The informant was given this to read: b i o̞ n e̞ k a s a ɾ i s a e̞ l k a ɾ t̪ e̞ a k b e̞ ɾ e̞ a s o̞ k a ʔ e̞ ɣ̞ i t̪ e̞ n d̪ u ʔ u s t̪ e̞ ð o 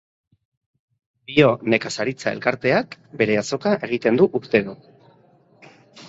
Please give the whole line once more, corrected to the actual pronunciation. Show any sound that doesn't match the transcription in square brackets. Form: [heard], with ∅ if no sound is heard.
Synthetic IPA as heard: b i o̞ n e̞ k a s a ɾ i [t͡s] a e̞ l k a ɾ t̪ e̞ a k b e̞ ɾ e̞ a s o̞ k a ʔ e̞ ɣ̞ i t̪ e̞ n d̪ u ʔ u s t̪ e̞ ð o